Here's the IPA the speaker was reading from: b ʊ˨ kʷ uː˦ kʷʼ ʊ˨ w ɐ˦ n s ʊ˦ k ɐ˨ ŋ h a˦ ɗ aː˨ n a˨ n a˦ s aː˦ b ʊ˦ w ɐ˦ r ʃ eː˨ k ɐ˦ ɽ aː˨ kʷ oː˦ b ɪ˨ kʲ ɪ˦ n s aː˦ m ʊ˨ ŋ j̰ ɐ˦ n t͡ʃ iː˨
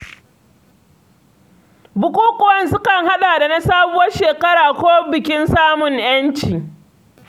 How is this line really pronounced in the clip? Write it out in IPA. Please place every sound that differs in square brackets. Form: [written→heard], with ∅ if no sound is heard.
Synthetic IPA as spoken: b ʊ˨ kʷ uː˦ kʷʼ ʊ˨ w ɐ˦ n s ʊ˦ k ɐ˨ ŋ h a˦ ɗ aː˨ [n→d] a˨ n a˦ s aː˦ b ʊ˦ w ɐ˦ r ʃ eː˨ k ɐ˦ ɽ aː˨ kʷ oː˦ b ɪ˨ kʲ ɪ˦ n s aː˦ m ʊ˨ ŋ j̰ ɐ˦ n t͡ʃ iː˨